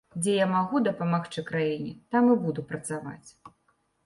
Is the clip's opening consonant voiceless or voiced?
voiced